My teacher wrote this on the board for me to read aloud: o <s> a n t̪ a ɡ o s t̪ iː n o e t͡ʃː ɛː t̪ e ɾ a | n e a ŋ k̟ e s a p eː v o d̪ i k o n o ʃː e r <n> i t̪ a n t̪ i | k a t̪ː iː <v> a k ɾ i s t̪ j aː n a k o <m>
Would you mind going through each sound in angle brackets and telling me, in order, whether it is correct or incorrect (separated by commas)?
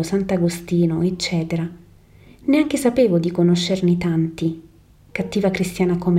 correct, correct, correct, correct